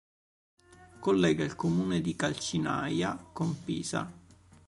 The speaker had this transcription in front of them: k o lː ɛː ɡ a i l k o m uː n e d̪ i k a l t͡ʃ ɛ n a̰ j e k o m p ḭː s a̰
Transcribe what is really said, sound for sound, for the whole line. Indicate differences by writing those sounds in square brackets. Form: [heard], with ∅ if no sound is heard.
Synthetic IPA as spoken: k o lː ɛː ɡ a i l k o m uː n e d̪ i k a l t͡ʃ [i] n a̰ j [a] k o m p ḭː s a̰